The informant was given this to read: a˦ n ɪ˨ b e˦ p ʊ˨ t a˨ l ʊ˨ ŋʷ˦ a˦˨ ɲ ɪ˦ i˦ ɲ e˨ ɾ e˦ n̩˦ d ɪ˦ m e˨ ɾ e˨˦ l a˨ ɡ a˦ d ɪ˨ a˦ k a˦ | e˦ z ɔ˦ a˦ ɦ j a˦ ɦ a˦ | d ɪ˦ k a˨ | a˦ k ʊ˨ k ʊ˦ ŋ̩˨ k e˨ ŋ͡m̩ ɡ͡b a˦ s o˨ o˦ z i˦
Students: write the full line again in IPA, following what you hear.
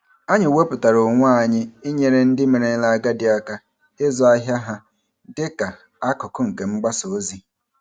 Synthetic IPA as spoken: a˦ ɲ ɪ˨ w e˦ p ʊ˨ t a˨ ɾ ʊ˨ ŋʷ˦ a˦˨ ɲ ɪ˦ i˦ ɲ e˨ ɾ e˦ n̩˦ d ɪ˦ m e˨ ɾ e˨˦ l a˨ ɡ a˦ d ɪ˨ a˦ k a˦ | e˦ z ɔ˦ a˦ ɦ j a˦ ɦ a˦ | d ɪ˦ k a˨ | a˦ k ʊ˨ k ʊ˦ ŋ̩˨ k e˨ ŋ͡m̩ ɡ͡b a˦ s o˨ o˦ z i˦